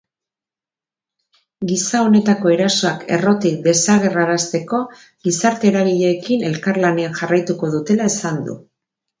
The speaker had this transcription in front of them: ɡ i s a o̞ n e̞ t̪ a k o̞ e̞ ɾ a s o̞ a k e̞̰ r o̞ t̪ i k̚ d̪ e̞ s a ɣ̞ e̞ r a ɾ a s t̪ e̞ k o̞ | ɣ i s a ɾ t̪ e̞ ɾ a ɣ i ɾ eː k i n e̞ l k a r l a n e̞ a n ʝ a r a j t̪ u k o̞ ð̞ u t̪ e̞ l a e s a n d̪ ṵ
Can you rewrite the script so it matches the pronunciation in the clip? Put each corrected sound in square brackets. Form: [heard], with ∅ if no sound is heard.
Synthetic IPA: ɡ i s a o̞ n e̞ t̪ a k o̞ e̞ ɾ a s o̞ a k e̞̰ r o̞ t̪ i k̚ d̪ e̞ s a ɣ̞ e̞ r a ɾ a s t̪ e̞ k o̞ | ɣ i s a ɾ t̪ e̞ ɾ a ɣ i [ʎ] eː k i n e̞ l k a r l a n e̞ a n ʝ a r a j t̪ u k o̞ ð̞ u t̪ e̞ l a e s a n d̪ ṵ